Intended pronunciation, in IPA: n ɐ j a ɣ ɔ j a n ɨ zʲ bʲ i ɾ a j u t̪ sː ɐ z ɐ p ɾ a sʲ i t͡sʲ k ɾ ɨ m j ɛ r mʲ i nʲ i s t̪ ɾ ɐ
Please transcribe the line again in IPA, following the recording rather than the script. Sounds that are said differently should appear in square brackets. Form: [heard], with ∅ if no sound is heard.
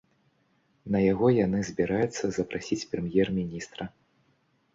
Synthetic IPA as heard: n ɐ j a ɣ ɔ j a n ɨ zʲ bʲ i ɾ a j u t̪ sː ɐ z ɐ p ɾ a sʲ i t͡sʲ [p] ɾ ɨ m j ɛ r mʲ i nʲ i s t̪ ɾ ɐ